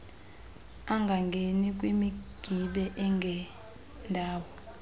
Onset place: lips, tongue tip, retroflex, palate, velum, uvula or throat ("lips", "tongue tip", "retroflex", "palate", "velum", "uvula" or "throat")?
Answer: velum